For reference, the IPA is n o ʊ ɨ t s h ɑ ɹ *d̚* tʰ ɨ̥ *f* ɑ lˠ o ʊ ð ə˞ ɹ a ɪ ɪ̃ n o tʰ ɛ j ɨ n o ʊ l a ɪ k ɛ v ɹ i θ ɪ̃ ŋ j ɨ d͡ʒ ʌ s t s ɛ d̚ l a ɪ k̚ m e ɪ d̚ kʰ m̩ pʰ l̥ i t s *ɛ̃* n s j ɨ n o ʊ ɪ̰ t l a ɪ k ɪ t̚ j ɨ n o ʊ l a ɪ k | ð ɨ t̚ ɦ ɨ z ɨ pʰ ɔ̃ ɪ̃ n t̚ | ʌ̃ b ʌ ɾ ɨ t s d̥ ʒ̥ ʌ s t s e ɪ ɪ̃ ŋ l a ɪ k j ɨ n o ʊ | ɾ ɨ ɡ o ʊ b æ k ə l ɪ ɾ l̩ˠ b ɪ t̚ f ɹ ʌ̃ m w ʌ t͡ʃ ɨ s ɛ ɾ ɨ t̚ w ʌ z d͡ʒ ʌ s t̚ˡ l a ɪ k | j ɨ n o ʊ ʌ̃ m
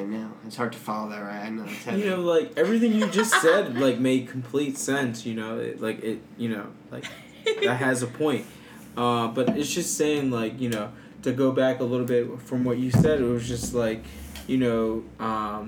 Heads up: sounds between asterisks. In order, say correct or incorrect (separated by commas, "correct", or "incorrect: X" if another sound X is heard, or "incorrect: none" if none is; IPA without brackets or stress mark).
correct, correct, correct